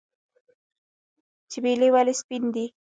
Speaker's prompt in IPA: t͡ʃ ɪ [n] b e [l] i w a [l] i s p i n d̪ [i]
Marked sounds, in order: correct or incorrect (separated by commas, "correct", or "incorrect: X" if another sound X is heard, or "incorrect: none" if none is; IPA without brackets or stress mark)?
incorrect: none, correct, correct, correct